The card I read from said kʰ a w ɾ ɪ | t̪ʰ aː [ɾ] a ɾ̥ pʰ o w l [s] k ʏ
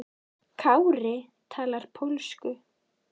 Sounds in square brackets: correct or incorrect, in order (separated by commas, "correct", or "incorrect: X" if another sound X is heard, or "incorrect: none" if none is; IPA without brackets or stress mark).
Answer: incorrect: l, correct